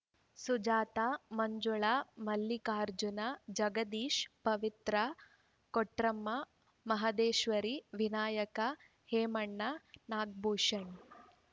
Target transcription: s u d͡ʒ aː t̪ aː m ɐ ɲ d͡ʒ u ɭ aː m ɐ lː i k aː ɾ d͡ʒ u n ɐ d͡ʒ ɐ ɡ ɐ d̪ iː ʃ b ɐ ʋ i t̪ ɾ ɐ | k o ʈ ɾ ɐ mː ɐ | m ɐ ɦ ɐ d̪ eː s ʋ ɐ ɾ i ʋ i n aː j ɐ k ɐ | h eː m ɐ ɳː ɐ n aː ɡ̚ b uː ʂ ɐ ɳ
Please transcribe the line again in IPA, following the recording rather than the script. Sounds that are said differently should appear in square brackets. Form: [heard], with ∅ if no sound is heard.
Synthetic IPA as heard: s u d͡ʒ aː t̪ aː m ɐ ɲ d͡ʒ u ɭ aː m ɐ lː i k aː ɾ d͡ʒ u n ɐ d͡ʒ ɐ ɡ ɐ d̪ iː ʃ [p] ɐ ʋ i t̪ ɾ ɐ | k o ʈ ɾ ɐ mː ɐ | m ɐ ɦ ɐ d̪ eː [ʃ] ʋ ɐ ɾ i ʋ i n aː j ɐ k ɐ | h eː m ɐ ɳː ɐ n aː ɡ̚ b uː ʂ ɐ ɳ